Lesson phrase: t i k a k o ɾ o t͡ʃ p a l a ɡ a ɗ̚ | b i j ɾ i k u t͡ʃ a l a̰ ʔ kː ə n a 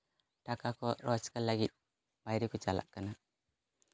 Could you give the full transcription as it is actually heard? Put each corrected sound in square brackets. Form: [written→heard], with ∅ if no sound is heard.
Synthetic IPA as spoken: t [i→a] k a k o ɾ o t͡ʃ [p→k] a l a ɡ [a→i] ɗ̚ | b [i→a] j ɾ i k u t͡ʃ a l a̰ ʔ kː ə n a